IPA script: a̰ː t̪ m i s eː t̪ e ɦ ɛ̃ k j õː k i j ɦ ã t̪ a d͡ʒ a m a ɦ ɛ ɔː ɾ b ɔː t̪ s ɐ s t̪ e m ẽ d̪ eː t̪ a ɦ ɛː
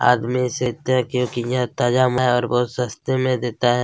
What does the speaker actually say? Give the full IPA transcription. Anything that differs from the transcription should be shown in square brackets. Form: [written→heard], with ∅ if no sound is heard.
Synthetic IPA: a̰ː [t̪→d̪] m i s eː t̪ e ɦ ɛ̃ k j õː k i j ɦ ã t̪ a d͡ʒ a m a ɦ ɛ ɔː ɾ b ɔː t̪ s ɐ s t̪ e m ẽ d̪ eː t̪ a ɦ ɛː